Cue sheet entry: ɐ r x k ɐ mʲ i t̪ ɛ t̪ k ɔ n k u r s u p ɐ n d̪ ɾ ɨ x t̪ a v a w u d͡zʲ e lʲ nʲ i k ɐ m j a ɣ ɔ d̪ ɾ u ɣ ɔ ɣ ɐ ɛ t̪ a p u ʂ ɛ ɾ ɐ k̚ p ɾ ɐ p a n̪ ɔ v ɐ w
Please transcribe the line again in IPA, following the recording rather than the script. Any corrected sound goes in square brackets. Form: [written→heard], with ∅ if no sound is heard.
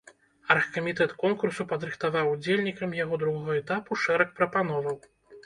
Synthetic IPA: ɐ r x k ɐ mʲ i t̪ ɛ t̪ k ɔ n k u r s u p ɐ [n→∅] d̪ ɾ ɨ x t̪ a v a w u d͡zʲ e lʲ nʲ i k ɐ m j a ɣ ɔ d̪ ɾ u ɣ ɔ ɣ ɐ ɛ t̪ a p u ʂ ɛ ɾ ɐ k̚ p ɾ ɐ p a n̪ ɔ v ɐ w